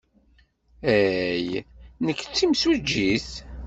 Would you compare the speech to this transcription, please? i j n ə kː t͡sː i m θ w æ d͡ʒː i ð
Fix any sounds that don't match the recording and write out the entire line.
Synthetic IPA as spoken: æ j n ə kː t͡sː i m s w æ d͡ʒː i θ